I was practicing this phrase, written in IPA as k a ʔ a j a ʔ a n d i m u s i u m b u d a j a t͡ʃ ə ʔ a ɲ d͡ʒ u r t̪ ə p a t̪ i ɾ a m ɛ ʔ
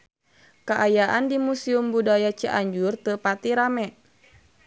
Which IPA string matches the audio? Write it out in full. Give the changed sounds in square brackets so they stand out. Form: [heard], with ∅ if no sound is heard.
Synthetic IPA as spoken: k a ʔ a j a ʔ a n d i m u s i u m b u d a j a t͡ʃ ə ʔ a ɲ d͡ʒ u r t̪ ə p a t̪ i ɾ a m ɛ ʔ

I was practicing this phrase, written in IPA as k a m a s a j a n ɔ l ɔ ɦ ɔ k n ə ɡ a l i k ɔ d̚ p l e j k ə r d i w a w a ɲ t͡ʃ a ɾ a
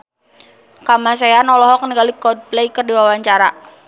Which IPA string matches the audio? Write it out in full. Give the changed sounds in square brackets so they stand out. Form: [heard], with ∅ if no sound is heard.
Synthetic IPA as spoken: k a m a s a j a n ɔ l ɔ ɦ ɔ k n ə ɡ a l i k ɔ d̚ p l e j k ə r d i w a w a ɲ t͡ʃ a ɾ a

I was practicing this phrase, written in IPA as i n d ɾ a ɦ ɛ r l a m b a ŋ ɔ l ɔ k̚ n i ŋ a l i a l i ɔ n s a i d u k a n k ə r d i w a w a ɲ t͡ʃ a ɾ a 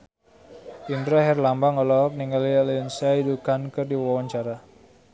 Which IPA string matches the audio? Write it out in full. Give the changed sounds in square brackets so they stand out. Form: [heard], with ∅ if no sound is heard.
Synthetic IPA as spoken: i n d ɾ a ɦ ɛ r l a m b a ŋ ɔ l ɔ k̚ n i ŋ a l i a l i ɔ n s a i d u k a n k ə r d i w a w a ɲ t͡ʃ a ɾ a

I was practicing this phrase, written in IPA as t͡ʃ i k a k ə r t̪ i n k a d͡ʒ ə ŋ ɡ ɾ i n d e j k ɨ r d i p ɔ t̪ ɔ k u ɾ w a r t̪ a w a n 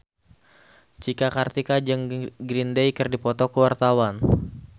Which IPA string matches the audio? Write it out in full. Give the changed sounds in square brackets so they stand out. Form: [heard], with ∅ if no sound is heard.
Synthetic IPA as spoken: t͡ʃ i k a k [a] r t̪ i [∅] k a d͡ʒ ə ŋ ɡ ɾ i n d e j k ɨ r d i p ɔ t̪ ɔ k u [∅] w a r t̪ a w a n

